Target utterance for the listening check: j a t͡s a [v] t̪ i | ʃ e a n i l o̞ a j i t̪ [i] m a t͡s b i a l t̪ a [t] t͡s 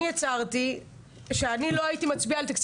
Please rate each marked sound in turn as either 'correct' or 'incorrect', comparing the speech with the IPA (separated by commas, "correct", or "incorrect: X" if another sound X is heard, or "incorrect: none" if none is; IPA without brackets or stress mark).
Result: incorrect: ʁ, correct, incorrect: k